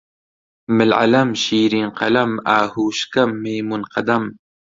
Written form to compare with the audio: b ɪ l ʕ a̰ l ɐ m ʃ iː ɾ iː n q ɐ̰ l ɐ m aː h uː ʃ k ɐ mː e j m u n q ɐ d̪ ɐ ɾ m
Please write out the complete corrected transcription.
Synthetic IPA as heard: m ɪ l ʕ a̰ l ɐ m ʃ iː ɾ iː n q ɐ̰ l ɐ m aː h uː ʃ k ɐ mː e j m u n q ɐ d̪ ɐ m

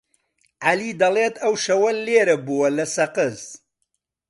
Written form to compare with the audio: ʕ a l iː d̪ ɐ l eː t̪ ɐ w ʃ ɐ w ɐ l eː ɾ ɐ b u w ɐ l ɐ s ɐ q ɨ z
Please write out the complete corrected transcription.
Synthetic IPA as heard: ʕ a l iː d̪ ɐ l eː t̪ ɐ w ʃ ɐ w ɐ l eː ɾ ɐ b u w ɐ l ɐ s ɐ q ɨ z

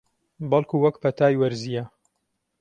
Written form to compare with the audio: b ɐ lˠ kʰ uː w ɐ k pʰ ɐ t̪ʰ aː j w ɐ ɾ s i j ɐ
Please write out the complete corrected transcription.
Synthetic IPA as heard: b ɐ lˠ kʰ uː w ɐ k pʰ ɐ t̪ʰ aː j w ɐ ɾ z i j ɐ

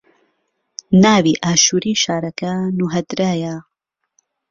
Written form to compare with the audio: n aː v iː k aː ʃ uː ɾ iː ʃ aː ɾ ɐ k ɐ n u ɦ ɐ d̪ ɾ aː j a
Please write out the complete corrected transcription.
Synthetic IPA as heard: n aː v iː ʔ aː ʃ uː ɾ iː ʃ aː ɾ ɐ k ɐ n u ɦ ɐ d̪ ɾ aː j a

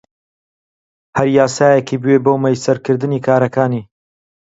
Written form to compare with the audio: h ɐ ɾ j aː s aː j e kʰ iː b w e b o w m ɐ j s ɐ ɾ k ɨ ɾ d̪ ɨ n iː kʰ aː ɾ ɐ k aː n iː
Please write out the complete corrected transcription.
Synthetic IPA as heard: h ɐ ɾ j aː s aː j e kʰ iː b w e b o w m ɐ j s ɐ ɾ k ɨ ɾ d̪ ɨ n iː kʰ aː ɾ ɐ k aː n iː

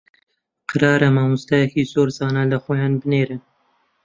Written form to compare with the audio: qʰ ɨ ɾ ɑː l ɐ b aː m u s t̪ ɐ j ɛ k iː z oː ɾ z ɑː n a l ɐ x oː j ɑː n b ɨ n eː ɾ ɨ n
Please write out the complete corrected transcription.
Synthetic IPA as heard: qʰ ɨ ɾ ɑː ɾ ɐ m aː m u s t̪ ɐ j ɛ k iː z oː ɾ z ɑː n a l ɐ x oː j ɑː n b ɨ n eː ɾ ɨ n

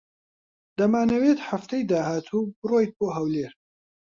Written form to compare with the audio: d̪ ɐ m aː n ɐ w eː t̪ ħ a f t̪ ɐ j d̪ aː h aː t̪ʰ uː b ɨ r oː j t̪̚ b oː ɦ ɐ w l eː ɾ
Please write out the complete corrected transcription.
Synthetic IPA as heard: d̪ ɐ m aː n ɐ w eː t̪ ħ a f t̪ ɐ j d̪ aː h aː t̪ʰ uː b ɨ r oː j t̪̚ b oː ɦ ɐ w l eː ɾ

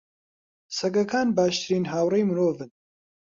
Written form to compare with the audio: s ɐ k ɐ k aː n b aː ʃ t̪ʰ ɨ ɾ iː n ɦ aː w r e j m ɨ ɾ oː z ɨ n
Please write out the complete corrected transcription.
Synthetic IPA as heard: s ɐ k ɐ k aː n b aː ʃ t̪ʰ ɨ ɾ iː n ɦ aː w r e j m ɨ ɾ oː v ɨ n

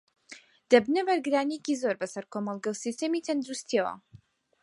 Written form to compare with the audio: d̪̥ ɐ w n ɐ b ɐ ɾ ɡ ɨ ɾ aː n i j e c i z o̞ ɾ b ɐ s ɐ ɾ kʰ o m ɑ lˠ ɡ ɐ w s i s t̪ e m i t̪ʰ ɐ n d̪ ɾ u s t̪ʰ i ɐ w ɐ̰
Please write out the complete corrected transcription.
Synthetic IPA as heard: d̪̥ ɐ b n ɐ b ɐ ɾ ɡ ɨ ɾ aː n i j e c i z o̞ ɾ b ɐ s ɐ ɾ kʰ o m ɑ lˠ ɡ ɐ w s i s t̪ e m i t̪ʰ ɐ n d̪ ɾ u s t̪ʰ i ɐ w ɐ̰

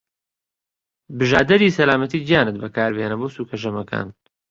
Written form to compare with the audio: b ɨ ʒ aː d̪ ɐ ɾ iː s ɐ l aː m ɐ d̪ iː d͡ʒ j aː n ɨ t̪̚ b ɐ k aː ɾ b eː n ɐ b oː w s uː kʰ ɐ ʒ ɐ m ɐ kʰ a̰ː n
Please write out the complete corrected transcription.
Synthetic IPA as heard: b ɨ ʒ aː d̪ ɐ ɾ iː s ɐ l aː m ɐ t̪ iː d͡ʒ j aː n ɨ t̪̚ b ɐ k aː ɾ b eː n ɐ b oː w s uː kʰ ɐ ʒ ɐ m ɐ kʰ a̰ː n

